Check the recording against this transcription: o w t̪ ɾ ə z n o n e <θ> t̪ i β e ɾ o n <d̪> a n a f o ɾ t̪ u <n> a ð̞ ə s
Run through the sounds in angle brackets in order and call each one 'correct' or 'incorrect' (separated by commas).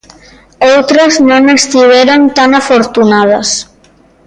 incorrect, incorrect, correct